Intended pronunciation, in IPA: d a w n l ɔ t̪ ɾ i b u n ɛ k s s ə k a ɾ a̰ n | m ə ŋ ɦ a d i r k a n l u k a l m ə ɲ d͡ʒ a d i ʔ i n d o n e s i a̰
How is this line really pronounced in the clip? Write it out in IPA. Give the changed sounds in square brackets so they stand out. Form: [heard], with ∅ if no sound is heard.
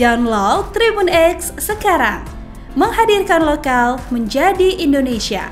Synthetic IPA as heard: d a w n l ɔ t̪ ɾ i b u n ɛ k s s ə k a ɾ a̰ [ŋ] | m ə ŋ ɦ a d i r k a n l [o] k a l m ə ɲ d͡ʒ a d i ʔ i n d o n e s i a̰